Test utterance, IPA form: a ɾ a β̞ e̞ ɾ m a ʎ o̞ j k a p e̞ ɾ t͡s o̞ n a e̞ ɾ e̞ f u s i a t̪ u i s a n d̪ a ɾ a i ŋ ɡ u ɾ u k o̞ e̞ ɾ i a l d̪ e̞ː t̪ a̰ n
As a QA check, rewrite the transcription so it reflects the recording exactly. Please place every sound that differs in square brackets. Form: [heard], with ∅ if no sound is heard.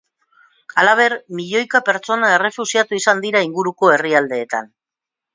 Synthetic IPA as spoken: a [l] a β̞ e̞ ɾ m [i] ʎ o̞ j k a p e̞ ɾ t͡s o̞ n a e̞ [r] e̞ f u s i a t̪ u i s a n d̪ [i] ɾ a i ŋ ɡ u ɾ u k o̞ e̞ [r] i a l d̪ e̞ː t̪ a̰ n